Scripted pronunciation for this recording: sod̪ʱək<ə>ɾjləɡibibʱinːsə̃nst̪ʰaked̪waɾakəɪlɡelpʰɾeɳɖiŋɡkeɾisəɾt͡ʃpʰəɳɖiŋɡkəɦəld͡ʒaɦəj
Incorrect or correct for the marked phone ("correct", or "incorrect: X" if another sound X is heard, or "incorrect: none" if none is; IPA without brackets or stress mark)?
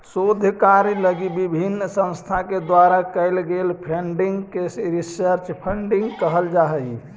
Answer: incorrect: a